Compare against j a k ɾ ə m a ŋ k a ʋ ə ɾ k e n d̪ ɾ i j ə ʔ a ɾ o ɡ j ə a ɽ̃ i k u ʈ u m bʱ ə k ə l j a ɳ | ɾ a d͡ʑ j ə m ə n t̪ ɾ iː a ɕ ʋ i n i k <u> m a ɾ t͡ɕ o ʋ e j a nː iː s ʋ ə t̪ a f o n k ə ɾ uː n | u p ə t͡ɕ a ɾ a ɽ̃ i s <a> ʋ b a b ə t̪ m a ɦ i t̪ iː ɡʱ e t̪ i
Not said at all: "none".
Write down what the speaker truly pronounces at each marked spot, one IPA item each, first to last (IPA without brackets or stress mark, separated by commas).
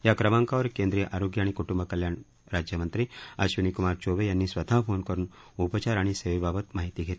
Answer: u, e